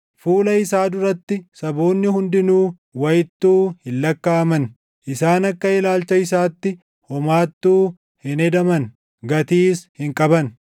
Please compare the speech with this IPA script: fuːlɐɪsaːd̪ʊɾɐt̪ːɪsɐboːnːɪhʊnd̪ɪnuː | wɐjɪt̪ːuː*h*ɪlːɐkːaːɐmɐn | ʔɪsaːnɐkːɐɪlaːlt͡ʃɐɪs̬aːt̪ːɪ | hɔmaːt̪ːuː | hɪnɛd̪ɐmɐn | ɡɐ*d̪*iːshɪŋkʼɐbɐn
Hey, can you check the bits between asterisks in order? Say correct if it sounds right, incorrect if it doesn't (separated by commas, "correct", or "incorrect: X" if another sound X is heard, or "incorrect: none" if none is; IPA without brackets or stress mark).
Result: correct, incorrect: t̪